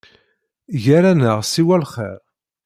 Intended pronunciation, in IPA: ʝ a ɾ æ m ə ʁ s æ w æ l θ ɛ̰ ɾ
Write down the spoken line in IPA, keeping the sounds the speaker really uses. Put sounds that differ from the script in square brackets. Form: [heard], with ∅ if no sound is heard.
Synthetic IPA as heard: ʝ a ɾ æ [n] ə ʁ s [i] w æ l [χ] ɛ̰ ɾ